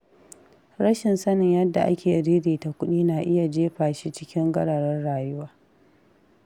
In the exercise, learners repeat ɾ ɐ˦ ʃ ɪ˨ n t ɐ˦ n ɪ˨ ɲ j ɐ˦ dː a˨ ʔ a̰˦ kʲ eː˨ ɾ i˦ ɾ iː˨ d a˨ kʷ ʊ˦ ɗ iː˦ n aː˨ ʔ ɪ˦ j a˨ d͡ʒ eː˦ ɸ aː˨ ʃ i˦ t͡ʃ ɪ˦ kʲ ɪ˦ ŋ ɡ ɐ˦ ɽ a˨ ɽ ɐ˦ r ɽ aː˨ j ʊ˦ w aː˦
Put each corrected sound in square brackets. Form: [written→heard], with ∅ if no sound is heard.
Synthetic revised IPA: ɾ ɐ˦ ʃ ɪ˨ n [t→s] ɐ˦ n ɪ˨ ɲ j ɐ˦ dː a˨ ʔ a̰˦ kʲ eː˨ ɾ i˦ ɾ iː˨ [d→t] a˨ kʷ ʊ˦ ɗ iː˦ n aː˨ ʔ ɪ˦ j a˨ d͡ʒ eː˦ ɸ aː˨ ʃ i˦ t͡ʃ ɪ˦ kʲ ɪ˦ ŋ ɡ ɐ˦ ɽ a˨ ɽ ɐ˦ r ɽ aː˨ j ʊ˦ w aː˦